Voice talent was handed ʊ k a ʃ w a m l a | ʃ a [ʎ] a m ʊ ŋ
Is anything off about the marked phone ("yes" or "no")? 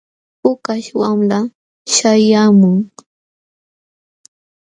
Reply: yes